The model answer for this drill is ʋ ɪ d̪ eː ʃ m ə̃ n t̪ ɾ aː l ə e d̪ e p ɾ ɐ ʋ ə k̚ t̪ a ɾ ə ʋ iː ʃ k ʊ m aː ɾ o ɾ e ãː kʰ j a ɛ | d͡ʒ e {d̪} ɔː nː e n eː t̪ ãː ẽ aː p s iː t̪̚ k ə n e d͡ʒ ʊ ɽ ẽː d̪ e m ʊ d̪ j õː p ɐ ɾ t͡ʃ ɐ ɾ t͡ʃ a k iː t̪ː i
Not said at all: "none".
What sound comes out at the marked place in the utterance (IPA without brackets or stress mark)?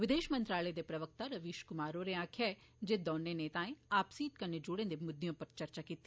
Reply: d̪